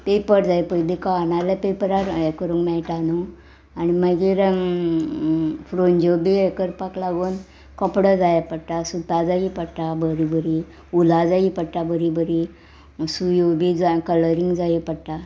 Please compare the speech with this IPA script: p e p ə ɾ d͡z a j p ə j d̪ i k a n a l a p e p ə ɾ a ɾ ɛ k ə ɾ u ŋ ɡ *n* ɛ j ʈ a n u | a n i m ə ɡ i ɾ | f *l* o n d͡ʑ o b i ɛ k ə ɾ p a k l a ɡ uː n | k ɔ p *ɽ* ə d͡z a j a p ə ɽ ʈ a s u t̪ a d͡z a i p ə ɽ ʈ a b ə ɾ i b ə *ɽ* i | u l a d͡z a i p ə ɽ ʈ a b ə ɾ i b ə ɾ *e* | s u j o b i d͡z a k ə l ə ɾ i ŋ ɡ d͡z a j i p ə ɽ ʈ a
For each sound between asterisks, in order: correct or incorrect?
incorrect: m, incorrect: ɾ, correct, incorrect: ɾ, incorrect: i

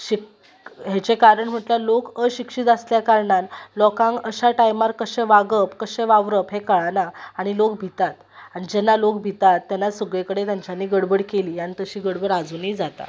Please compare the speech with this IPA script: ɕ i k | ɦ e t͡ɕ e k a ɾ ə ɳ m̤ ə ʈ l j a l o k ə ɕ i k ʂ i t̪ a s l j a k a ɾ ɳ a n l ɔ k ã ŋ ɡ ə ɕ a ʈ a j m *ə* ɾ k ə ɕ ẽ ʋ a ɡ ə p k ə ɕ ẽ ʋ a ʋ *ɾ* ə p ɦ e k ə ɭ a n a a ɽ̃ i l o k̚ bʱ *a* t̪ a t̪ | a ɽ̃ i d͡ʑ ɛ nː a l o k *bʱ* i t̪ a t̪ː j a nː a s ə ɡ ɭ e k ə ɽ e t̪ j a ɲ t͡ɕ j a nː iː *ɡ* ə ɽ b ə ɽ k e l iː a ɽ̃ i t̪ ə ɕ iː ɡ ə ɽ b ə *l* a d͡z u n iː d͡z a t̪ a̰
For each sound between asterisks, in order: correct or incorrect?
incorrect: a, correct, incorrect: i, correct, correct, incorrect: ɽ

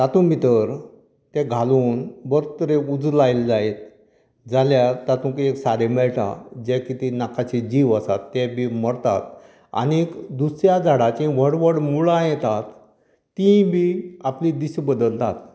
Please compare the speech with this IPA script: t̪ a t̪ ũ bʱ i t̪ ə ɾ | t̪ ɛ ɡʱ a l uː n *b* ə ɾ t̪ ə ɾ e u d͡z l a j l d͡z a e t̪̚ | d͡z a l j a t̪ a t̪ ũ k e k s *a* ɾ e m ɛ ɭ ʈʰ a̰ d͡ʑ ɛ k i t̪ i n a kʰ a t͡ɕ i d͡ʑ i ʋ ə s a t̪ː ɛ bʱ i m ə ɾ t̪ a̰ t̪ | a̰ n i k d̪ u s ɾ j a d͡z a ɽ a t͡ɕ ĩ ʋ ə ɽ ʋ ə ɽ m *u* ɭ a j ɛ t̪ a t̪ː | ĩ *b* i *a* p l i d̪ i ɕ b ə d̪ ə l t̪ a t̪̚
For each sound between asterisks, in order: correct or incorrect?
correct, correct, correct, correct, correct

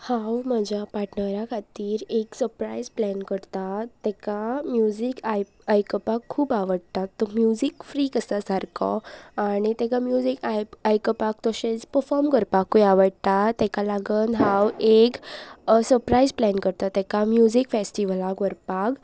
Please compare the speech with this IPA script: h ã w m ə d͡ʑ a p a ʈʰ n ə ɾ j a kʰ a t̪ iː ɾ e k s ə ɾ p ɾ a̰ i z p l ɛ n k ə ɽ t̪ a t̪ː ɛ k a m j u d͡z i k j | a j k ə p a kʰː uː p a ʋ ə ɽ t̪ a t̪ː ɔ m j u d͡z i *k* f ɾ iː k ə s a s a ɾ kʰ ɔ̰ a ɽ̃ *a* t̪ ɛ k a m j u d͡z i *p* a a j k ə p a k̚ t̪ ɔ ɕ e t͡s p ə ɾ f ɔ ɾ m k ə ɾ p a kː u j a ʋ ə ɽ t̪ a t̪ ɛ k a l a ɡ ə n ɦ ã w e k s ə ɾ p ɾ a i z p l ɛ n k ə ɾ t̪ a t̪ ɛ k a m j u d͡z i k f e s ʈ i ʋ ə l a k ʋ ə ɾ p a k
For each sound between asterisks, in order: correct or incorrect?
correct, incorrect: i, incorrect: k

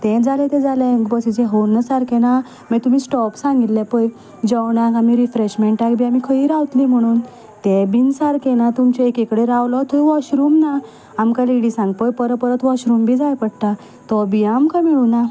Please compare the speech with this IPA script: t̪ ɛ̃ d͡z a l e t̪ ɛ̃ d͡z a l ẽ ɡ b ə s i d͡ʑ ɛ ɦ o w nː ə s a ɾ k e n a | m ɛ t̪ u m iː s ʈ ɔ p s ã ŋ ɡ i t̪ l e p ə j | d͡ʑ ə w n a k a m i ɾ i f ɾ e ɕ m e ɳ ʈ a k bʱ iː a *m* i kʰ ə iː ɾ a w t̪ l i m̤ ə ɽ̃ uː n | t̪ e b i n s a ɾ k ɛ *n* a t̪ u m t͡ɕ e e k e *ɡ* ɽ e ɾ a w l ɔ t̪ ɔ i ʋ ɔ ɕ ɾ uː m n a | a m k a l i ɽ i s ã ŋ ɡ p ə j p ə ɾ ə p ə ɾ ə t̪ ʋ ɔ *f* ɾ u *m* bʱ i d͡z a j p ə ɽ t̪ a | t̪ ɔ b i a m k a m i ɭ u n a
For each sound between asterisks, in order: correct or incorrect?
correct, correct, incorrect: k, incorrect: ɕ, correct

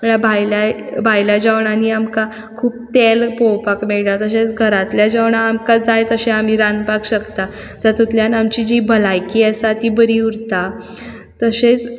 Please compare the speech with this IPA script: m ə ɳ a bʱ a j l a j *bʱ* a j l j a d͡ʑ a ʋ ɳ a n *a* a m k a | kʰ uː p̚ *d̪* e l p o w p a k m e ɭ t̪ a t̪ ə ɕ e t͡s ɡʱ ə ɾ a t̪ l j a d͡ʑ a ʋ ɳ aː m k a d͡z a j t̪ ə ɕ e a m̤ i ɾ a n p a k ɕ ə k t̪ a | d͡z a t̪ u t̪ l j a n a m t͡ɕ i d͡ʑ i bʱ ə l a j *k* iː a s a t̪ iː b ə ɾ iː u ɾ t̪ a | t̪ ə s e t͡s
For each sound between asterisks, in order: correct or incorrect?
correct, incorrect: i, incorrect: t̪, correct

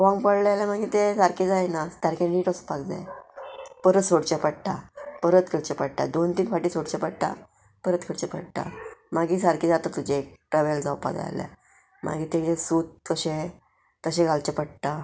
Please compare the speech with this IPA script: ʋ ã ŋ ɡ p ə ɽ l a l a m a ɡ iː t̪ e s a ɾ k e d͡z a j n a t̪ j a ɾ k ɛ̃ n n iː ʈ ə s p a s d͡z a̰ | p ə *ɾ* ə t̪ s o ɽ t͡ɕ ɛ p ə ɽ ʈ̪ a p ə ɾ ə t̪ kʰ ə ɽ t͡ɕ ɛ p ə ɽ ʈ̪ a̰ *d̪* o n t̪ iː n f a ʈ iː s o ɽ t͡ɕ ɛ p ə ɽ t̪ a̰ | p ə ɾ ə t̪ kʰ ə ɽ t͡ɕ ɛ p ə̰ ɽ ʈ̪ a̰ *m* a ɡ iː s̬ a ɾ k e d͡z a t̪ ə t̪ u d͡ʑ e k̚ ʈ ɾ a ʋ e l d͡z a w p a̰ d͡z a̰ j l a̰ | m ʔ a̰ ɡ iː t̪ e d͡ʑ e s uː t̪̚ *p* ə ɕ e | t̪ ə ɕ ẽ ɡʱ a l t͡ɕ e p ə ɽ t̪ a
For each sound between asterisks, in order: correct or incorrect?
correct, correct, correct, incorrect: k

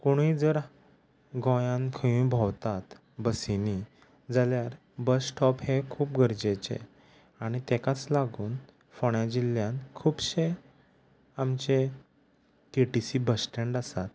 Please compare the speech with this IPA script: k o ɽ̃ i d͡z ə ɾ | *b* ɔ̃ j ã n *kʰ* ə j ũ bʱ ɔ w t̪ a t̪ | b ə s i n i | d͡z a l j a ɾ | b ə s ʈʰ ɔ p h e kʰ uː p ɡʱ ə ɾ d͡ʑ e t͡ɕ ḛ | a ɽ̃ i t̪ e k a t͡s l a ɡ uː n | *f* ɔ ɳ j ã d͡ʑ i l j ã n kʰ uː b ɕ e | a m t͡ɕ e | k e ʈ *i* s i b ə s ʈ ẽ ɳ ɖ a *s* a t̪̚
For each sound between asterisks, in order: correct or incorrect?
incorrect: ɡ, correct, correct, correct, correct

